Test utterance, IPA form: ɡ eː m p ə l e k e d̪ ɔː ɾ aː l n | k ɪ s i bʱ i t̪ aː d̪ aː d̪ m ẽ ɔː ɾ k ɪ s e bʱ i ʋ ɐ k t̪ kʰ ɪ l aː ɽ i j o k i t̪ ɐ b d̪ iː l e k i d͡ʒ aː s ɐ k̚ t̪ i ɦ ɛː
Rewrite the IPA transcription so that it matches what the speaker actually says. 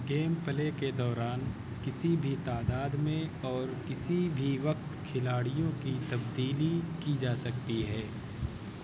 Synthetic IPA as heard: ɡ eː m p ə l e k e d̪ ɔː ɾ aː n | k ɪ s i bʱ i t̪ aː d̪ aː d̪ m ẽ ɔː ɾ k ɪ s i bʱ i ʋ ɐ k t̪ kʰ ɪ l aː ɽ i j õ k i t̪ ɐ b d̪ iː l i k i d͡ʒ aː s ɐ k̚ t̪ i ɦ ɛː